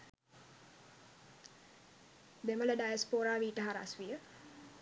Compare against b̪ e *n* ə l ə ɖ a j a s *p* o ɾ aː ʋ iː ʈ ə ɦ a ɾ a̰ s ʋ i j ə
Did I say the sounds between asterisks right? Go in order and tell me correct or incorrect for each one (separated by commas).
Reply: incorrect, correct